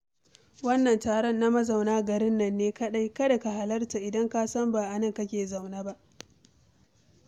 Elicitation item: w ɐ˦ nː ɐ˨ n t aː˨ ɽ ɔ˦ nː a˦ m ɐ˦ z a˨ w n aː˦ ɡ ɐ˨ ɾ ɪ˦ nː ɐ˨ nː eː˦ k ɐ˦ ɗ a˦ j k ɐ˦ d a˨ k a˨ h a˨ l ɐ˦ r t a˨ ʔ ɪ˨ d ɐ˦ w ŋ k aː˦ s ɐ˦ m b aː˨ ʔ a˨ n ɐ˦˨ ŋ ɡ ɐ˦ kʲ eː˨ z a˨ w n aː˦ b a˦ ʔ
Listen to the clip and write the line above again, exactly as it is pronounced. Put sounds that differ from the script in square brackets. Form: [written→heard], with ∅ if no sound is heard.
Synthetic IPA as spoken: w ɐ˦ nː ɐ˨ n t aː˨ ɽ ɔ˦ nː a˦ m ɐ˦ z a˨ w n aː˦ ɡ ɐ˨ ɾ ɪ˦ nː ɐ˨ nː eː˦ k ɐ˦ ɗ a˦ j k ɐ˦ d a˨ k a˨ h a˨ l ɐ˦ r t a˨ ʔ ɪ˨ d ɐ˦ [w→∅] ŋ k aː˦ s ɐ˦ m b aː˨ ʔ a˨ n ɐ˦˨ ŋ [ɡ→k] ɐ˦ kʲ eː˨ z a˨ w n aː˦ b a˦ ʔ